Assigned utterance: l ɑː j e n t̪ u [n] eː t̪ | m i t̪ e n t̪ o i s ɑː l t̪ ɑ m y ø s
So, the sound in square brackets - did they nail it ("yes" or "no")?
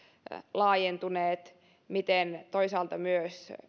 yes